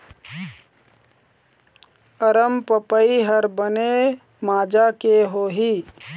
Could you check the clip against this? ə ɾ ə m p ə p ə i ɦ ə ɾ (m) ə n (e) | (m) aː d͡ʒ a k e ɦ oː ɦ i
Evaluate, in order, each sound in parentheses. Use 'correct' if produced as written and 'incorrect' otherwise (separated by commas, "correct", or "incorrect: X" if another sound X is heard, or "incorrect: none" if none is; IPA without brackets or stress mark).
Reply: incorrect: b, correct, correct